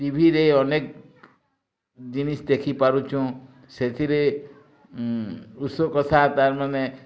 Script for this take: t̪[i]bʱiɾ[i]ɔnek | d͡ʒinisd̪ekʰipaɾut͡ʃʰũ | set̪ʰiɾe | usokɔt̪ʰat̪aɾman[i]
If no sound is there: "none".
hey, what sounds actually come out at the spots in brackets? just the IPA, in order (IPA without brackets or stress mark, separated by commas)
i, e, e